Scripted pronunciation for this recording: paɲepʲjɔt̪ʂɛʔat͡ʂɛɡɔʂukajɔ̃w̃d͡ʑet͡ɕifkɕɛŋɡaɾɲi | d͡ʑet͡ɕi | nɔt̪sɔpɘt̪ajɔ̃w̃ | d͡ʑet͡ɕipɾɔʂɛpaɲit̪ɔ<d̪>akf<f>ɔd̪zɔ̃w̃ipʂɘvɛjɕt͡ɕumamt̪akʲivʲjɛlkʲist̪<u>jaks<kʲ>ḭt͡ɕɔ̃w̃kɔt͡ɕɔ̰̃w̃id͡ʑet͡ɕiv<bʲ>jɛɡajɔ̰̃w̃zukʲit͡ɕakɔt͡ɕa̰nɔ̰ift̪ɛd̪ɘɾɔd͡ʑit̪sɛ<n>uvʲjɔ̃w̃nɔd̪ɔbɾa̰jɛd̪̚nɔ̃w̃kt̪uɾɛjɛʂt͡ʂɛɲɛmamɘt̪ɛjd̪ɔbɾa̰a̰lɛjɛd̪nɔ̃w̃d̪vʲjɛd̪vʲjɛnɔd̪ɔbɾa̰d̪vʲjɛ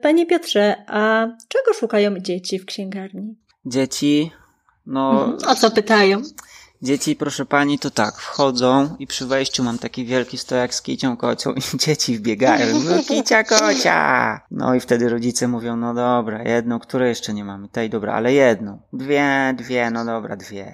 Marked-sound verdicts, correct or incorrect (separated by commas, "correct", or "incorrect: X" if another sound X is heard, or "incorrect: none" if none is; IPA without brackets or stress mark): incorrect: t̪, incorrect: x, incorrect: ɔ, correct, correct, incorrect: m